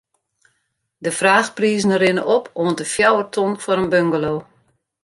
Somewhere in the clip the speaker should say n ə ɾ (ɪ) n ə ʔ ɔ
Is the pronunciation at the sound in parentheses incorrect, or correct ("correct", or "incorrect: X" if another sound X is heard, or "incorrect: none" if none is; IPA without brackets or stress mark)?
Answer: correct